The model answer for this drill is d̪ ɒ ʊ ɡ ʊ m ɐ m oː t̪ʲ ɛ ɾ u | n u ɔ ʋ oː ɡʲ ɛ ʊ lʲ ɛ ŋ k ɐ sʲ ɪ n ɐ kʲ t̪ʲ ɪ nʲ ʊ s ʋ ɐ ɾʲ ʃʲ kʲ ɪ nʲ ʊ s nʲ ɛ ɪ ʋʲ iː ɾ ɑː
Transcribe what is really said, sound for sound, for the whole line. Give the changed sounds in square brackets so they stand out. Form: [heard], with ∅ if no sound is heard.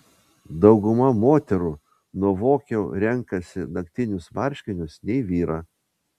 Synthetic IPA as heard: d̪ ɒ ʊ ɡ ʊ m ɐ m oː t̪ʲ ɛ ɾ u | n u ɔ ʋ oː [kʲ] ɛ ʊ [ɾʲ] ɛ ŋ k ɐ sʲ ɪ n ɐ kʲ t̪ʲ ɪ nʲ ʊ s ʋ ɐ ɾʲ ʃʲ kʲ ɪ nʲ ʊ s nʲ ɛ ɪ ʋʲ iː ɾ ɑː